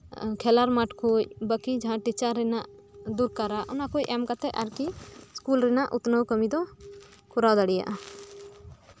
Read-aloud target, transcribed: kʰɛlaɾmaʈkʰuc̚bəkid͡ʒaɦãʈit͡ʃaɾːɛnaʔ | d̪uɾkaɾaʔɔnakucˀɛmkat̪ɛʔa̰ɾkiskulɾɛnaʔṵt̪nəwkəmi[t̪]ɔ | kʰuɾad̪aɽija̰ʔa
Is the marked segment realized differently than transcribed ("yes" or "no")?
yes